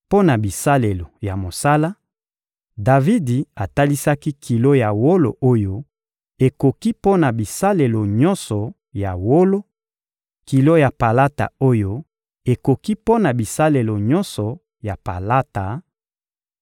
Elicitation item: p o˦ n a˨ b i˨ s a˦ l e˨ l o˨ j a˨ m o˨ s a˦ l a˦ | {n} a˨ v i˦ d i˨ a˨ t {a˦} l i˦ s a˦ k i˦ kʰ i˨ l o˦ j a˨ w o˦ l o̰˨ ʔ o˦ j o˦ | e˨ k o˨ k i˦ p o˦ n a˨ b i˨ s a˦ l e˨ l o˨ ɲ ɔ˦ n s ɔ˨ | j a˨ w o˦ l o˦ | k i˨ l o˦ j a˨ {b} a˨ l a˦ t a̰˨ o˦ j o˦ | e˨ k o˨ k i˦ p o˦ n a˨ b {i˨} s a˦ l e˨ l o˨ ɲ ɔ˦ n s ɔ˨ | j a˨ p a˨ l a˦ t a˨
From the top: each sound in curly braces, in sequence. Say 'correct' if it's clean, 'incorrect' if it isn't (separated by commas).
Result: incorrect, correct, incorrect, correct